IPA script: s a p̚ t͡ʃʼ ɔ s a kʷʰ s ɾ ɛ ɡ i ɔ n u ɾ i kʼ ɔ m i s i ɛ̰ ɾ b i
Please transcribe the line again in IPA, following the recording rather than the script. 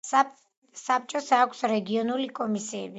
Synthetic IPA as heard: s a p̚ t͡ʃʼ ɔ s a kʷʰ s ɾ ɛ ɡ i ɔ n u l i kʼ ɔ m i s i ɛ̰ b i